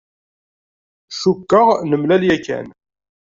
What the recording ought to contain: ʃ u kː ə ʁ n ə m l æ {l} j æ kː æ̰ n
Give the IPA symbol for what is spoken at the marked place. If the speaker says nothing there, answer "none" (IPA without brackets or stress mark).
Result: l